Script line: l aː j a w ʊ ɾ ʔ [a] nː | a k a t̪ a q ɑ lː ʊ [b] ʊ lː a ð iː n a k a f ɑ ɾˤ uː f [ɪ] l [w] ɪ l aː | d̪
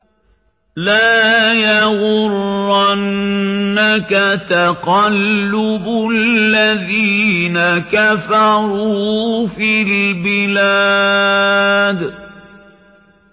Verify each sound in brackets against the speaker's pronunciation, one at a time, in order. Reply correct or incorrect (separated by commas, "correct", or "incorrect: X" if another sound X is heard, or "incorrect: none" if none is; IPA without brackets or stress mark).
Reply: correct, correct, incorrect: i, incorrect: b